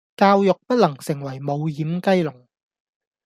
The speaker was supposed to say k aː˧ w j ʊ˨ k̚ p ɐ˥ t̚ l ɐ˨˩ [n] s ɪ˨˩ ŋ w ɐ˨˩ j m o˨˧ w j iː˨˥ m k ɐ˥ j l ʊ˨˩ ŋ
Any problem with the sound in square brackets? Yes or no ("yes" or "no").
yes